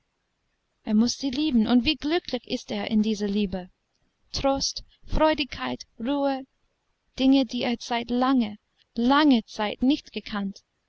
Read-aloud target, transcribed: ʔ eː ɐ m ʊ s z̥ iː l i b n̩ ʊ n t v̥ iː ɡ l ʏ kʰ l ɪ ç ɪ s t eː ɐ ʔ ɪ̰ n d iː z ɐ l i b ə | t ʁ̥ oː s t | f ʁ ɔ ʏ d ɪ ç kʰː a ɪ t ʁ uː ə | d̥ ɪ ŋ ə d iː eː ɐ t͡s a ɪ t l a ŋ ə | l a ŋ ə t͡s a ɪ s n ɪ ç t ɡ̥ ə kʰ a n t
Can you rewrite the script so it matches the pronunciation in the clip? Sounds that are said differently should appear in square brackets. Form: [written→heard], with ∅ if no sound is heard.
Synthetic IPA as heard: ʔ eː ɐ m ʊ s z̥ iː l [i→iː] b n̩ ʊ n t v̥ iː ɡ l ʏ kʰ l ɪ ç ɪ s t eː ɐ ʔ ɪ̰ n d iː z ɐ l [i→iː] b ə | t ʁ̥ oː s t | f ʁ ɔ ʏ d ɪ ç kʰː a ɪ t ʁ uː ə | d̥ ɪ ŋ ə d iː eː ɐ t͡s a ɪ t l a ŋ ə | l a ŋ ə t͡s a ɪ [s→t] n ɪ ç t ɡ̥ ə kʰ a n t